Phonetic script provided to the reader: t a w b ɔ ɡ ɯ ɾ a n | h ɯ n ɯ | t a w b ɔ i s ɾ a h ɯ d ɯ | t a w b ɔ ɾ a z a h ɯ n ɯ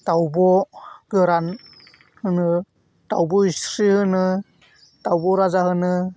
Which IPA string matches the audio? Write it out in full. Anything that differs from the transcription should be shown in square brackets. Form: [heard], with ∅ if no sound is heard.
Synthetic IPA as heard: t a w b ɔ ɡ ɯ ɾ a n | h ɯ n ɯ | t a w b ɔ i s ɾ [i] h ɯ [n] ɯ | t a w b ɔ ɾ a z a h ɯ n ɯ